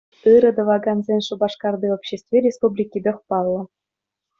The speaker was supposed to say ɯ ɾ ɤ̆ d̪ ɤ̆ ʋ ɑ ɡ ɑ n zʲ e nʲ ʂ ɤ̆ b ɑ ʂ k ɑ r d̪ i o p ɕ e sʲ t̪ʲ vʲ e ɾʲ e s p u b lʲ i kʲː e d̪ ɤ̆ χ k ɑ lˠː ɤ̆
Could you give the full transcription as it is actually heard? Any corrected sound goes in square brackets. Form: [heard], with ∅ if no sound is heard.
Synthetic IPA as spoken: ɯ ɾ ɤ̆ d̪ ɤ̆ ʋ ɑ ɡ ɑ n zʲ e nʲ ʂ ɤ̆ b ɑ ʂ k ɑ r d̪ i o p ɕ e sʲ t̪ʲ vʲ e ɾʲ e s p u b lʲ i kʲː [i] d̪ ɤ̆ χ [p] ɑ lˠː ɤ̆

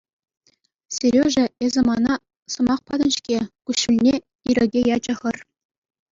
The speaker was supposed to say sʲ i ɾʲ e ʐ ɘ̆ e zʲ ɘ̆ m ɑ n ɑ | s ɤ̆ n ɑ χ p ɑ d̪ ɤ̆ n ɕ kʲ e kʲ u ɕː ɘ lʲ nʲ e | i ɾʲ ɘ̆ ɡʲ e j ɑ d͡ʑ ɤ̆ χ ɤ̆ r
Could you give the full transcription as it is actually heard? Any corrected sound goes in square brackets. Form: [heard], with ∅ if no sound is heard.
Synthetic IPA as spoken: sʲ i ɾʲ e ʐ ɘ̆ e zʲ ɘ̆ m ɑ n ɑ | s ɤ̆ [m] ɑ χ p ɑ d̪ ɤ̆ n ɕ kʲ e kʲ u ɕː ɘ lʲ nʲ e | i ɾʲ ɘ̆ ɡʲ e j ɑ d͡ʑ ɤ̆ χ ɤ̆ r

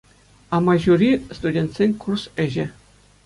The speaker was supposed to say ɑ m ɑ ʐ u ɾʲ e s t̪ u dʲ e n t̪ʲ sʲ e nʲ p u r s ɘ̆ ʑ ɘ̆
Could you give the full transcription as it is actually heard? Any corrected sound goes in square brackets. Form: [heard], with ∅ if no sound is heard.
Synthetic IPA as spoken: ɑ m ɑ [ʑ] u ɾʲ [i] s t̪ u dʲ e n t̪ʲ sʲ e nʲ [k] u r s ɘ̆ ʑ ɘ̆

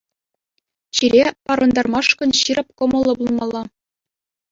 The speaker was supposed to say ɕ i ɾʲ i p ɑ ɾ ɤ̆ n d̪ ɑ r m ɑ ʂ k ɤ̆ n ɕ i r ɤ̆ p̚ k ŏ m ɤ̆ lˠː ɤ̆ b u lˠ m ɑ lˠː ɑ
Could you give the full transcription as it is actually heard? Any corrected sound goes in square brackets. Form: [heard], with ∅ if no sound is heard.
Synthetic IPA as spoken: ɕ i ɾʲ [e] p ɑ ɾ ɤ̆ n d̪ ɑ r m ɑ ʂ k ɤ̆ n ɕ i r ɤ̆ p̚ k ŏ m ɤ̆ lˠː ɤ̆ b u lˠ m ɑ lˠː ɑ

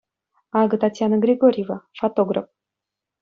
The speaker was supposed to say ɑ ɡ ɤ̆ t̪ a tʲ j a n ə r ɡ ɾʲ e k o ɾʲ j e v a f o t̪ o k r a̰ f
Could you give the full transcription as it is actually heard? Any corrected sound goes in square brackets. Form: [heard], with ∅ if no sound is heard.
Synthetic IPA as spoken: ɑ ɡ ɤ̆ t̪ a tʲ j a n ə [∅] ɡ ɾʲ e [ɡ] o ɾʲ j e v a f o t̪ o [ɡ] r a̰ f

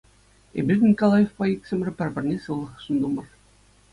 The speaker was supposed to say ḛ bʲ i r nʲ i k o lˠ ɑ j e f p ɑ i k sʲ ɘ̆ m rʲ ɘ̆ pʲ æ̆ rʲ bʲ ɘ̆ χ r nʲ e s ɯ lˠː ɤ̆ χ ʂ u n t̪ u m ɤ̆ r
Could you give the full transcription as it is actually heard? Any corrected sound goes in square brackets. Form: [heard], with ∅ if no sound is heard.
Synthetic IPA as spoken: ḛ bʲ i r nʲ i k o lˠ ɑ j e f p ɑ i k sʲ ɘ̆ m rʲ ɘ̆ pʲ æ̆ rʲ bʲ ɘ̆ [∅] r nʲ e s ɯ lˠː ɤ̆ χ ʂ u n [d̪] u m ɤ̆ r

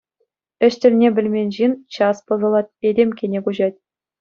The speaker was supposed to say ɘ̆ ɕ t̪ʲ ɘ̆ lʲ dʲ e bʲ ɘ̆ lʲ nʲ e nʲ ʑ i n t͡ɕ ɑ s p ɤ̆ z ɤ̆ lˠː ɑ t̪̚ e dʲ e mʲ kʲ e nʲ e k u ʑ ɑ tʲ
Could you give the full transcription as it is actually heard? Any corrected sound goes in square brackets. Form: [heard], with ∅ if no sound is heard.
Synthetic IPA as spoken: ɘ̆ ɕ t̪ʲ ɘ̆ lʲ [nʲ] e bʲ ɘ̆ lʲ [mʲ] e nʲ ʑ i n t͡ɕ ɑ s p ɤ̆ z ɤ̆ [lˠ] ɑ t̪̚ e dʲ e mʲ kʲ e nʲ e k u ʑ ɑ tʲ

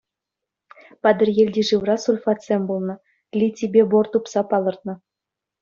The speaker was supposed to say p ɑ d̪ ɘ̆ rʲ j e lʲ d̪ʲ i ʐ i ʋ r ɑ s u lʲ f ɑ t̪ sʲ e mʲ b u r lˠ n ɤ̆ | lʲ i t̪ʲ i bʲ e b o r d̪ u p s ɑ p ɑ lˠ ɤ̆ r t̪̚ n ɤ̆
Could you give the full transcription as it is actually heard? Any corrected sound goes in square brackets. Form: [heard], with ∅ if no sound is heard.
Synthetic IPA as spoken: p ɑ d̪ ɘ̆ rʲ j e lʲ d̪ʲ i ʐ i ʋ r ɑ s u lʲ f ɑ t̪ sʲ e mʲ b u [∅] lˠ n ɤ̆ | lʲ i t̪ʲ i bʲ e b o r [t̪] u p s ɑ p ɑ lˠ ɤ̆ r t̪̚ n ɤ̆

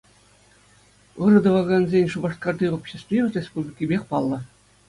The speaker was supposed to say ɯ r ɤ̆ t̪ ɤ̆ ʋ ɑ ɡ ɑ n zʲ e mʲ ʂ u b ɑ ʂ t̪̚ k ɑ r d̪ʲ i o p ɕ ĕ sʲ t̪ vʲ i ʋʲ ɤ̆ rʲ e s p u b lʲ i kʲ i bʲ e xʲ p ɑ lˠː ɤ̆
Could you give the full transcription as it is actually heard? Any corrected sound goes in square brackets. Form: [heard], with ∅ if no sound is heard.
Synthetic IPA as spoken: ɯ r ɤ̆ [d̪] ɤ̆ ʋ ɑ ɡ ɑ n zʲ e [nʲ] ʂ u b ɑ ʂ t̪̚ k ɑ r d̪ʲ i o p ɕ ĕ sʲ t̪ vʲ i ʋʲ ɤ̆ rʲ e s p u b lʲ i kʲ i bʲ e xʲ p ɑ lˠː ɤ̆

